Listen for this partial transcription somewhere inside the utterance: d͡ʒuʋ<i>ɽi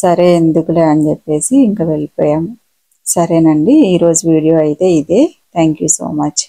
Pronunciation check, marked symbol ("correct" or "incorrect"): incorrect